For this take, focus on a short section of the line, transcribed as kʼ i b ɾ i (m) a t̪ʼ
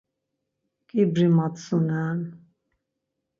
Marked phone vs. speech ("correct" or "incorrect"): correct